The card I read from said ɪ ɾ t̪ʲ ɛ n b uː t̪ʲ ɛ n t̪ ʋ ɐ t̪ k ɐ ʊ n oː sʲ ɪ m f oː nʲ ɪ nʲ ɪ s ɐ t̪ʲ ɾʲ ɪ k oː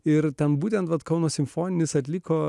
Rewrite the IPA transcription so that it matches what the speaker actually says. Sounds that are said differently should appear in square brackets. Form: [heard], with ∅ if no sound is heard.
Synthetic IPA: ɪ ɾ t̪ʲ ɛ n b uː t̪ʲ ɛ n t̪ ʋ ɐ t̪ k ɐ ʊ n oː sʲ ɪ m f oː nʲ ɪ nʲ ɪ s ɐ t̪ʲ [lʲ] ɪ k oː